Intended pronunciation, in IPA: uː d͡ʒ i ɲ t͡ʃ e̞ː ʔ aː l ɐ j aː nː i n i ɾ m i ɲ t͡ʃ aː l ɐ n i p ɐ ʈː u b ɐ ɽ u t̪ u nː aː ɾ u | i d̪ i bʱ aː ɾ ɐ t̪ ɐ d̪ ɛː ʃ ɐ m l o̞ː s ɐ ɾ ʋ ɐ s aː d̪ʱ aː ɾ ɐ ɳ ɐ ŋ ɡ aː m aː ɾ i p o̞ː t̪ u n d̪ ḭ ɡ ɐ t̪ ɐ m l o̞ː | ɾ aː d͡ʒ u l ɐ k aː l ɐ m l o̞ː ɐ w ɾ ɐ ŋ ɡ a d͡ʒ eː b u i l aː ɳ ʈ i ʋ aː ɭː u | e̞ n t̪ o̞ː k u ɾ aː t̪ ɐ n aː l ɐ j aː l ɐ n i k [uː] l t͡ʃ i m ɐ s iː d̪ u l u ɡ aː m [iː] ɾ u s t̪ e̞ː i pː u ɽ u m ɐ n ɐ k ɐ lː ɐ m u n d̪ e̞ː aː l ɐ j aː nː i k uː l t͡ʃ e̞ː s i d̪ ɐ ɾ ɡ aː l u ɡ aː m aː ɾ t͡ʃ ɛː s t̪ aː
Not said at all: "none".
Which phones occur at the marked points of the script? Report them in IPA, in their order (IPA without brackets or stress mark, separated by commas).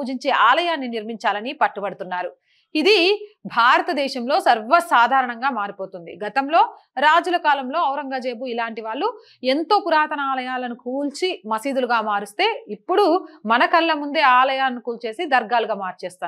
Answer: uː, aː